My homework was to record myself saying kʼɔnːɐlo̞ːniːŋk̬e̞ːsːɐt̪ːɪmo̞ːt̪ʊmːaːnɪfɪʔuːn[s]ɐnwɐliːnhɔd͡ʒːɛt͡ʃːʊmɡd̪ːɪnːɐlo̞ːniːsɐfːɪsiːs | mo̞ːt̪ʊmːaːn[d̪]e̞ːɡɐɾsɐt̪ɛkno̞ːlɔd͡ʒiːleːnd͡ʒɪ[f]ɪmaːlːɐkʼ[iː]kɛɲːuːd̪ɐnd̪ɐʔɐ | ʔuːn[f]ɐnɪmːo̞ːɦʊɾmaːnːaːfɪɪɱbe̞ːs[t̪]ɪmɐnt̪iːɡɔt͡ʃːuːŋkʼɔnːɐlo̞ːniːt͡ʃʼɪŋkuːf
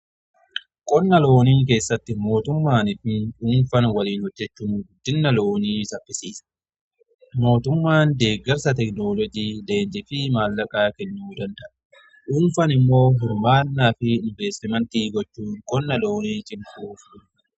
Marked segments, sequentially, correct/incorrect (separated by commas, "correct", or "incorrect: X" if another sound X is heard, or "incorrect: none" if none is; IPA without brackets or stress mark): incorrect: f, correct, correct, incorrect: aː, correct, correct